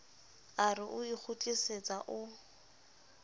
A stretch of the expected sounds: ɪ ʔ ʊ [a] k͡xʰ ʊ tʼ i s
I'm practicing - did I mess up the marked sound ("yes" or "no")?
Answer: yes